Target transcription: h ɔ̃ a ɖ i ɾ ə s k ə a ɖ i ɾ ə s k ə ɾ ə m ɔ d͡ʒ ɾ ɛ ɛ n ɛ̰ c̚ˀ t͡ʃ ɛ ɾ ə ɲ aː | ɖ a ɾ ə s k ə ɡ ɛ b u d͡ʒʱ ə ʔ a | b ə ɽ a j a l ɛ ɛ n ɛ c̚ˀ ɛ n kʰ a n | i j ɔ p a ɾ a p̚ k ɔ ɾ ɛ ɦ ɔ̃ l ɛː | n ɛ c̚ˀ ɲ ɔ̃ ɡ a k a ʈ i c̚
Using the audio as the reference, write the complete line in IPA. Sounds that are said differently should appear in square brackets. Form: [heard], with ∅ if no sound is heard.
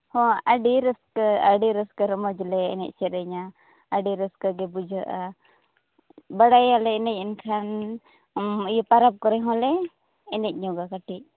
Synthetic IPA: h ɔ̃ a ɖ i ɾ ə s k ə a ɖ i ɾ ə s k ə ɾ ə m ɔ d͡ʒ [l] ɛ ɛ n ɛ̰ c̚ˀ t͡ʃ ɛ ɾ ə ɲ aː | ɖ [i] ɾ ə s k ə ɡ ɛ b u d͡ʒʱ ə ʔ a | b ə ɽ a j a l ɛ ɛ n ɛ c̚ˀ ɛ n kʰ a n | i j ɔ p a ɾ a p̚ k ɔ ɾ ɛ ɦ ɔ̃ l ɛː | n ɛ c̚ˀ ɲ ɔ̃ ɡ a k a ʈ i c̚